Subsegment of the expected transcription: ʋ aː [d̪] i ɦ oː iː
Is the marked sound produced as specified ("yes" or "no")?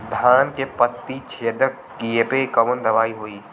no